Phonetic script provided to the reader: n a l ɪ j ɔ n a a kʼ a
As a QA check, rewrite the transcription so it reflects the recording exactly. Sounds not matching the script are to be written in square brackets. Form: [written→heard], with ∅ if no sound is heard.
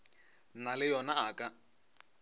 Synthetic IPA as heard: n a l ɪ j ɔ n a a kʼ a